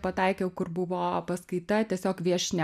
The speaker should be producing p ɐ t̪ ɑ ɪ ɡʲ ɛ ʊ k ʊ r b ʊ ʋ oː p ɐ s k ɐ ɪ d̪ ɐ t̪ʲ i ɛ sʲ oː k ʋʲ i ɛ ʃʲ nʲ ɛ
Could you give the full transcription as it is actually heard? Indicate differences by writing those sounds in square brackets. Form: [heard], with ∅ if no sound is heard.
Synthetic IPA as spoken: p ɐ t̪ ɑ ɪ [kʲ] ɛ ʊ k ʊ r b ʊ ʋ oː p ɐ s k ɐ ɪ [t̪] ɐ t̪ʲ i ɛ sʲ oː k ʋʲ i ɛ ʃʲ nʲ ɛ